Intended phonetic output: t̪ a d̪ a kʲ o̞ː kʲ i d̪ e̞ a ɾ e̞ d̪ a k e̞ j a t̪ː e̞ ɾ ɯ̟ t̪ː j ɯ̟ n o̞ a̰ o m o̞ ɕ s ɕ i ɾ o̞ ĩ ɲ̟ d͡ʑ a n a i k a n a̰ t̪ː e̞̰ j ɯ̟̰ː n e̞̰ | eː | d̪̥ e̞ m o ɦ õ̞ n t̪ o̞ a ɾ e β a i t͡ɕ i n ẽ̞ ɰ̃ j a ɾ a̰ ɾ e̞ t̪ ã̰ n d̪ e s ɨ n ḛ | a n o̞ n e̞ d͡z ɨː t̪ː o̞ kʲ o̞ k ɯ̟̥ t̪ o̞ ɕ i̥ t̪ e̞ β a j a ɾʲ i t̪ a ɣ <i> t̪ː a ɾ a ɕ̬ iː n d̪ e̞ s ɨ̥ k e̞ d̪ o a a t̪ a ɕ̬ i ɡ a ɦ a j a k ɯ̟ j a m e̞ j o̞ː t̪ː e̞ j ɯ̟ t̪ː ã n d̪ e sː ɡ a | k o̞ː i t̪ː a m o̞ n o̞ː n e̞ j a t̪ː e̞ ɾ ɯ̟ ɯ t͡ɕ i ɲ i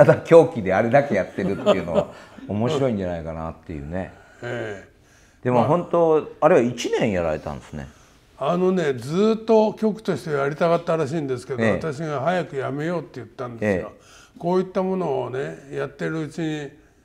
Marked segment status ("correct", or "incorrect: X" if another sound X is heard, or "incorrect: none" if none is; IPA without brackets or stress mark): incorrect: a